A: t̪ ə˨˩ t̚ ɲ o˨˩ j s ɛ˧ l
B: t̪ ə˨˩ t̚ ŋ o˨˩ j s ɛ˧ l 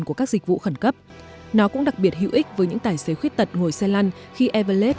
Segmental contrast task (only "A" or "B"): B